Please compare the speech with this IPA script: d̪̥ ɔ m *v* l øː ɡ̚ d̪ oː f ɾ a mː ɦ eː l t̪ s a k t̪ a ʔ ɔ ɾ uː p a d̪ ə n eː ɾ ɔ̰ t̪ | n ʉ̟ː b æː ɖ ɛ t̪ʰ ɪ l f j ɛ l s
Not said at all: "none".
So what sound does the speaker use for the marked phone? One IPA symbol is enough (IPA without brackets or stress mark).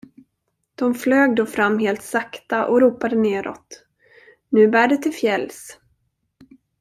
f